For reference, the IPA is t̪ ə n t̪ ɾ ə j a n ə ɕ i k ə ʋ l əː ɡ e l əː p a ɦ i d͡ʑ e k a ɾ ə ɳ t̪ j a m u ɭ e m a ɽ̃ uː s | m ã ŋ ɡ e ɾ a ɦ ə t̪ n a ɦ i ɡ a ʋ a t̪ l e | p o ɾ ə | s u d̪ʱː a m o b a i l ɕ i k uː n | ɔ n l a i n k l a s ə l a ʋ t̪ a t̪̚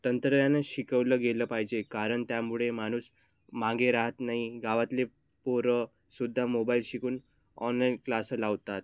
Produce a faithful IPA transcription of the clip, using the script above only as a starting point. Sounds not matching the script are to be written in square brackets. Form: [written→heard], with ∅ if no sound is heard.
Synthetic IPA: t̪ ə n t̪ ɾ ə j a n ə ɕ i k ə ʋ l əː ɡ e l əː p a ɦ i d͡ʑ e k a ɾ ə ɳ t̪ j a m u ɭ e m a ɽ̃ uː s | m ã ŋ ɡ e ɾ a ɦ ə t̪ n a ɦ i ɡ a ʋ a t̪ l e | p o ɾ ə | s u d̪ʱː a m o b a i l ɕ i k uː n | ɔ n l a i n k l a s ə l a ʋ t̪ a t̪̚

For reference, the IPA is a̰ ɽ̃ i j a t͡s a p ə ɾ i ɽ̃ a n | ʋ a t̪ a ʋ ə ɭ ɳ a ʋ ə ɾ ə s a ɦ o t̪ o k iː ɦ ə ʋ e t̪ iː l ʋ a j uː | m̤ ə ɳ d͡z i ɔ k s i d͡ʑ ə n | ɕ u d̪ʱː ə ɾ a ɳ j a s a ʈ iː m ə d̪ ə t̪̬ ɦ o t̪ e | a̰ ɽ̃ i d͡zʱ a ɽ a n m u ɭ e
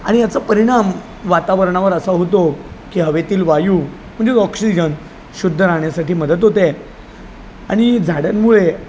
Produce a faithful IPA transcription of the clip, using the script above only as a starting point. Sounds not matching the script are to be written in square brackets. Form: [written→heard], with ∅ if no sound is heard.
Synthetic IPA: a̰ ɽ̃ i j a t͡s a p ə ɾ i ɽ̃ a [n→m] | ʋ a t̪ a ʋ ə [ɭ→ɾ] ɳ a ʋ ə ɾ ə s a ɦ o t̪ o k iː ɦ ə ʋ e t̪ iː l ʋ a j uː | m̤ ə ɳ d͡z [i→e] ɔ k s i d͡ʑ ə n | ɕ u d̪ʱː ə ɾ a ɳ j a s a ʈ iː m ə d̪ ə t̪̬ ɦ o t̪ e | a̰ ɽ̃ i d͡zʱ a ɽ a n m u ɭ e

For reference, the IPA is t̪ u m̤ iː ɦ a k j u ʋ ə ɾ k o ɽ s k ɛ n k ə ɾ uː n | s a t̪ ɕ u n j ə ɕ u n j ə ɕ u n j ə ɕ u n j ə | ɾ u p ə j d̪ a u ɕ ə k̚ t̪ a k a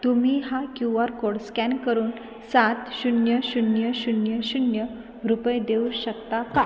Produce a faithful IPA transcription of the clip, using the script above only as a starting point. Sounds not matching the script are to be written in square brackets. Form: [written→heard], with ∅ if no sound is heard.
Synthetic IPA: t̪ u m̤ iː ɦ a k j u ʋ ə ɾ k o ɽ s k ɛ n k ə ɾ uː n | s a t̪ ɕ u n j ə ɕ u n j ə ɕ u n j ə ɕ u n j ə | ɾ u p ə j d̪ [a→e] u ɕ ə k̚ t̪ a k a

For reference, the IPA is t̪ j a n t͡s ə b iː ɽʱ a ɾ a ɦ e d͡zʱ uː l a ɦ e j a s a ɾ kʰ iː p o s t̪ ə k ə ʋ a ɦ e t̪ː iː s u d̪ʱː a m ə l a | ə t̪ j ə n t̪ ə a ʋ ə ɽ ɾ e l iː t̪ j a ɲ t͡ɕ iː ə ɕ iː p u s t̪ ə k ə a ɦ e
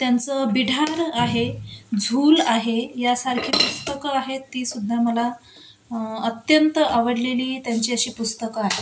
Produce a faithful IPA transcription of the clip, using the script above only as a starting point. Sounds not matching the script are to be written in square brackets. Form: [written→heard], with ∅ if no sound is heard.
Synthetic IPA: t̪ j a n t͡s ə b [iː→i] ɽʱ a ɾ a ɦ e d͡zʱ uː l a ɦ e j a s a ɾ kʰ iː p [o→u] s t̪ ə k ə [ʋ→∅] a ɦ e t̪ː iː s u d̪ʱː a m ə l a | ə t̪ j ə n t̪ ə a ʋ ə ɽ [ɾ→l] e l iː t̪ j a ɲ t͡ɕ iː ə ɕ iː p u s t̪ ə k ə a ɦ e

